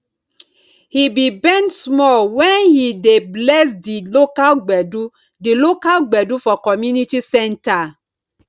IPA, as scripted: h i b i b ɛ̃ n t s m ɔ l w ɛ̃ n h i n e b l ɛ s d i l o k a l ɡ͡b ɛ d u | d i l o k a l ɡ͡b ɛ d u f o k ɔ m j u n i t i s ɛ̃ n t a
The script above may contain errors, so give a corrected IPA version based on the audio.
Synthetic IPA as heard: h i b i b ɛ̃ n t s m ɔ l w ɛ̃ n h i d e b l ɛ s d i l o k a l ɡ͡b ɛ d u | d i l o k a l ɡ͡b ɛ d u f ɔ k ɔ m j u n i t i s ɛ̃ n t a